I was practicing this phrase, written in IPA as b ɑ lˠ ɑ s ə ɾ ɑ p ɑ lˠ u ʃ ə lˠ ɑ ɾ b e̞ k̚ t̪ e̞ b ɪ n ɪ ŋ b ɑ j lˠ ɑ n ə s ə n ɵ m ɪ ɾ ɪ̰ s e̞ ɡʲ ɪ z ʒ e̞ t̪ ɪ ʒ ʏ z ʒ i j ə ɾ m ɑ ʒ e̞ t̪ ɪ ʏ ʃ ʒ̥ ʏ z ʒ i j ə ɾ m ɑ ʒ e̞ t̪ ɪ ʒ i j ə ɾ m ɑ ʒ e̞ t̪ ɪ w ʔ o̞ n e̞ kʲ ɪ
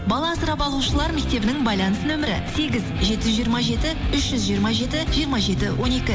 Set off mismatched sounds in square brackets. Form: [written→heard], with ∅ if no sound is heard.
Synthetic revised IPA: b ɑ lˠ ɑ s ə ɾ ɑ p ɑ lˠ u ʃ ə lˠ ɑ ɾ [b→m] e̞ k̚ t̪ e̞ b ɪ n ɪ ŋ b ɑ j lˠ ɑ n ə s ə n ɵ m ɪ ɾ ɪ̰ s e̞ ɡʲ ɪ z ʒ e̞ t̪ ɪ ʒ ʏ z ʒ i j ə ɾ m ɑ ʒ e̞ t̪ ɪ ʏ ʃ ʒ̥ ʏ z ʒ i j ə ɾ m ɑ ʒ e̞ t̪ ɪ ʒ i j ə ɾ m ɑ ʒ e̞ t̪ ɪ w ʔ o̞ n e̞ kʲ ɪ